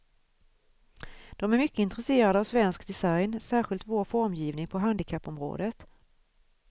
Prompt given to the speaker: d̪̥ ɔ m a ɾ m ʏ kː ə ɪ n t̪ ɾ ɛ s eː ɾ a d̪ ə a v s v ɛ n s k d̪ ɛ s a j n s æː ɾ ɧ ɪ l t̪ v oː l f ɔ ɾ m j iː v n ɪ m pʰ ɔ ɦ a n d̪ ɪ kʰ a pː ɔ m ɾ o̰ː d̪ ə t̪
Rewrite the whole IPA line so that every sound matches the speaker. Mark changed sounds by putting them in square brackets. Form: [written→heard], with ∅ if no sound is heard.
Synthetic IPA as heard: d̪̥ ɔ m [a→æ] ɾ m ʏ kː ə ɪ n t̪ ɾ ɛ s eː ɾ a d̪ ə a v s v ɛ n s k d̪ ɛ s a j n s æː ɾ ɧ ɪ l t̪ v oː [l→ɾ] f ɔ ɾ m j iː v n ɪ [m→ŋ] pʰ ɔ ɦ a n d̪ ɪ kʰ a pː ɔ m ɾ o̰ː d̪ ə t̪